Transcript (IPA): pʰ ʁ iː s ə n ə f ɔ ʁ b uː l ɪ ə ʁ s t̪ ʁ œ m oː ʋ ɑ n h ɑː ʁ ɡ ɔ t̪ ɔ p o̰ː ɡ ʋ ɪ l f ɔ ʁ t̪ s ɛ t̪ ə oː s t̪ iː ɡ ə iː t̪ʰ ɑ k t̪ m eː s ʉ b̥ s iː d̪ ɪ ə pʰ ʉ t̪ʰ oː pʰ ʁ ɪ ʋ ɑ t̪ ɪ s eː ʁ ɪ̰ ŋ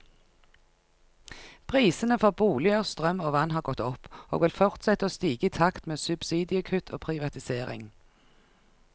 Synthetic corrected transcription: pʰ ʁ iː s ə n ə f ɔ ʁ b uː l ɪ ə ʁ s t̪ ʁ œ m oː ʋ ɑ n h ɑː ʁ ɡ ɔ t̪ ɔ p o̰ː ɡ ʋ ɪ l f ɔ ʁ t̪ s ɛ t̪ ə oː s t̪ iː ɡ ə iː t̪ʰ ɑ k t̪ m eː s ʉ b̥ s iː d̪ ɪ ə kʰ ʉ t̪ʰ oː pʰ ʁ ɪ ʋ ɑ t̪ ɪ s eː ʁ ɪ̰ ŋ